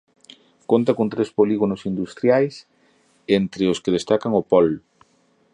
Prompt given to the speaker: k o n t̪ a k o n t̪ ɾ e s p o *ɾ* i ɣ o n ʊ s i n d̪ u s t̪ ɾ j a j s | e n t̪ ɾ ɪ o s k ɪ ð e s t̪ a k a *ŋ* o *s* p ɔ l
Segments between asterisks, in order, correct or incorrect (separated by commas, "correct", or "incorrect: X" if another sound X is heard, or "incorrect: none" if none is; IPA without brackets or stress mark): incorrect: l, correct, incorrect: none